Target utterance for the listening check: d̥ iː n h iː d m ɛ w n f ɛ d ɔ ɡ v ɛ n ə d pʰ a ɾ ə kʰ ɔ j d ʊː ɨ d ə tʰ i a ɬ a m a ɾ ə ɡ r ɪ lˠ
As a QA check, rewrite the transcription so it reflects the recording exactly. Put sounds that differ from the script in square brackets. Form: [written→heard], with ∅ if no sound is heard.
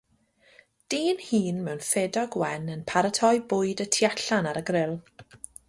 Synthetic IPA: d̥ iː n h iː [d→n] m ɛ w n f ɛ d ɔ ɡ [v→w] ɛ n ə [d→n] pʰ a ɾ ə [kʰ→tʰ] ɔ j [d→b] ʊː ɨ d ə tʰ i a ɬ a [m→n] a ɾ ə ɡ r ɪ lˠ